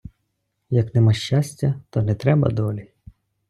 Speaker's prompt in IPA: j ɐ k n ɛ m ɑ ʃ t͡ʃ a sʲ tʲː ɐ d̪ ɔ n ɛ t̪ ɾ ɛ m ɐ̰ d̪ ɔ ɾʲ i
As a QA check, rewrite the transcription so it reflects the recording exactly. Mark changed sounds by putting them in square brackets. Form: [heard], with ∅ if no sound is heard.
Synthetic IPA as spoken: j ɐ k n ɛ m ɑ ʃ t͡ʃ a sʲ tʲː ɐ [t̪] ɔ n ɛ t̪ ɾ ɛ [b] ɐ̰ d̪ ɔ [lʲ] i